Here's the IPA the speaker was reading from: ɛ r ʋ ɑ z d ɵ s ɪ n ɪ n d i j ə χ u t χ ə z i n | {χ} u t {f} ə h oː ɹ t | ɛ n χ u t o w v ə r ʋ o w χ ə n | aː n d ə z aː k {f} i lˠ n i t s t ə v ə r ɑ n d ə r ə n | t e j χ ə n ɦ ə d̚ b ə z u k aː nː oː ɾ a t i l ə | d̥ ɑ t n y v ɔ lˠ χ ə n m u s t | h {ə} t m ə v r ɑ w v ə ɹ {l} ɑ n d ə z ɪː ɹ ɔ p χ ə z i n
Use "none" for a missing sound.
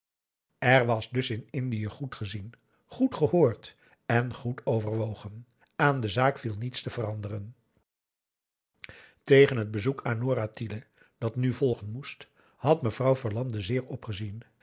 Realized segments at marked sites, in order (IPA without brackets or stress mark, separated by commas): χ, χ, f, ɑ, l